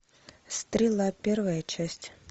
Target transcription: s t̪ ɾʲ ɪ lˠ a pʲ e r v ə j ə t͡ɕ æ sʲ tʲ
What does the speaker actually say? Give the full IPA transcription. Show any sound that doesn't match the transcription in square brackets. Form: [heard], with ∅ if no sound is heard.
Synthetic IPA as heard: s t̪ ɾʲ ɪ lˠ a pʲ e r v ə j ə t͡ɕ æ sʲ tʲ